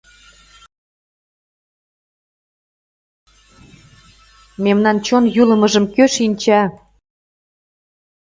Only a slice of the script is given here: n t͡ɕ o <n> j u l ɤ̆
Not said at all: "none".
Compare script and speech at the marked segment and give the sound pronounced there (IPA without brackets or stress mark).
n